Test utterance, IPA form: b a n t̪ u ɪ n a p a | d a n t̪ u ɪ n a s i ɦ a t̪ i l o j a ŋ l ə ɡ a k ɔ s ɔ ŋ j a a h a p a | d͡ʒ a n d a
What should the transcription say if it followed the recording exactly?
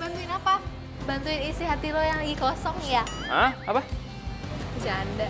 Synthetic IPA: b a n t̪ u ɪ n a p a | b a n t̪ u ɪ n i s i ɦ a t̪ i l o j a ŋ l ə ɡ i k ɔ s ɔ ŋ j a a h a p a | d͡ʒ a n d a